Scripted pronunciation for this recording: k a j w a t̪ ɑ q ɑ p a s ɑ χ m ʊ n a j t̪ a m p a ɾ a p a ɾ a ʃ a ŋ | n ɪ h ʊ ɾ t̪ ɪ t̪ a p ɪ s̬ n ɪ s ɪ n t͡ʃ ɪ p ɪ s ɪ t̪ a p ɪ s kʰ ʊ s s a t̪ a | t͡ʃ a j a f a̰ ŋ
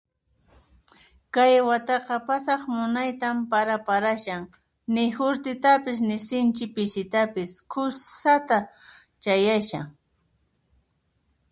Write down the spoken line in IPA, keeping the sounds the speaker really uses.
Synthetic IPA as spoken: k a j w a t̪ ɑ q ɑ p a s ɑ χ m ʊ n a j t̪ a m p a ɾ a p a ɾ a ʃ a ŋ | n ɪ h ʊ ɾ t̪ ɪ t̪ a p ɪ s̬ n ɪ s ɪ n t͡ʃ ɪ p ɪ s ɪ t̪ a p ɪ s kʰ ʊ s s a t̪ a | t͡ʃ a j a ʃ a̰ ŋ